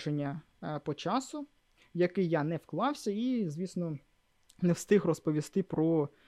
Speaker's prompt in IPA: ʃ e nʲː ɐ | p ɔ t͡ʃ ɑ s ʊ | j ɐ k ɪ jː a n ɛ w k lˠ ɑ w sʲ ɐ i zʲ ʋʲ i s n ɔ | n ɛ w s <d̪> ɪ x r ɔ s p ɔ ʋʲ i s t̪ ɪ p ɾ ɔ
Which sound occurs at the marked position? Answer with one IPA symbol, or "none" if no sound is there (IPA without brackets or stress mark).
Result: t̪